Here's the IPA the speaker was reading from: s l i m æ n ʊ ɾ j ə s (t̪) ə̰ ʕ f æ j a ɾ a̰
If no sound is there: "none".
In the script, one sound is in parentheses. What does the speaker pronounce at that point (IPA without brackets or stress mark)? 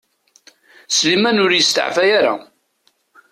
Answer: t̪